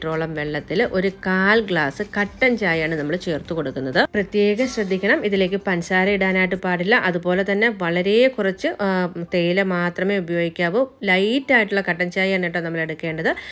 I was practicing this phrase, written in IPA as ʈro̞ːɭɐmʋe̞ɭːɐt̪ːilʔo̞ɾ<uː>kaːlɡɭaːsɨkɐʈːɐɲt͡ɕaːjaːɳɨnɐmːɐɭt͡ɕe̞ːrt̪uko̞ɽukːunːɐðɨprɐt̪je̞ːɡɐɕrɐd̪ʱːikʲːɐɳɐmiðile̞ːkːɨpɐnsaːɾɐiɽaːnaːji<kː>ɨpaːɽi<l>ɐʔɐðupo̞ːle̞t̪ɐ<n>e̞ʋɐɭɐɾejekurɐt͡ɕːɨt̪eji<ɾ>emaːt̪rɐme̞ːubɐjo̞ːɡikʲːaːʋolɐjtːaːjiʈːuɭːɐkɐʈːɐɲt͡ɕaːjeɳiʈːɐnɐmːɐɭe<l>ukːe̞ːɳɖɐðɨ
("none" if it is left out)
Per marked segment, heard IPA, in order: u, ʈː, lː, nː, l, ɽ

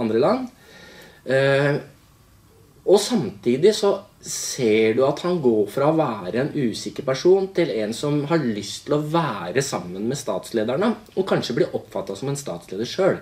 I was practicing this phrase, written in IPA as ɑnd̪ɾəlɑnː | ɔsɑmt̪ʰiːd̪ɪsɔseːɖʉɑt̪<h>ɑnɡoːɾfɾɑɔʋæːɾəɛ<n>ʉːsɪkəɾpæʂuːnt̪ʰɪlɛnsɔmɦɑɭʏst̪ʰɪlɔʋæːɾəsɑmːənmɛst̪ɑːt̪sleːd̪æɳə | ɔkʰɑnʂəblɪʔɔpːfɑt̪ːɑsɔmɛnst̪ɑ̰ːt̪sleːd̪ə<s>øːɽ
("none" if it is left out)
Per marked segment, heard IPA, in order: h, n, ʂ

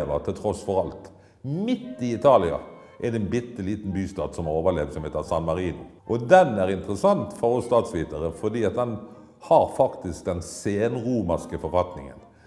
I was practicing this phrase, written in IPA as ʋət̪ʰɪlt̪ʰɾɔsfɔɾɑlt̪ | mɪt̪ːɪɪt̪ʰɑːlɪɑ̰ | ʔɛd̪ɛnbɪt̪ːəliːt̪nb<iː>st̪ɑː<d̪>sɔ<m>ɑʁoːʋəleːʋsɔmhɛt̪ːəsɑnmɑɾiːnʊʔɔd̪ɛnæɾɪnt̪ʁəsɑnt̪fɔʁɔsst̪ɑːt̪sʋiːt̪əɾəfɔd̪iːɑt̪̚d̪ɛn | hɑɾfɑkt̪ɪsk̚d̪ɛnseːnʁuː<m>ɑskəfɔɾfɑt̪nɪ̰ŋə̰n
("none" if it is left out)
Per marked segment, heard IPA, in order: yː, d̪, m, m

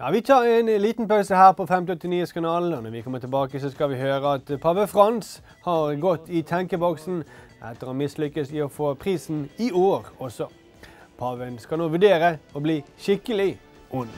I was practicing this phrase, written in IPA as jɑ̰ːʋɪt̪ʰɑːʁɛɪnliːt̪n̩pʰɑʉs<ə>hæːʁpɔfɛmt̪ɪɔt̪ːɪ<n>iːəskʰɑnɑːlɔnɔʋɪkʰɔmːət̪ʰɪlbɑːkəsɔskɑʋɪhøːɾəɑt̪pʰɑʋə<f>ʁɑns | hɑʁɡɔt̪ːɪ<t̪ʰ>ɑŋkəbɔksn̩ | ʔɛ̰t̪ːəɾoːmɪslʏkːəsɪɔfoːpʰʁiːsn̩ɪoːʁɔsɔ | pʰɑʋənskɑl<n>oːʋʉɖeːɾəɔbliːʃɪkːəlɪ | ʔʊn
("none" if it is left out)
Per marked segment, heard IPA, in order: ə, n, f, t̪ʰ, n

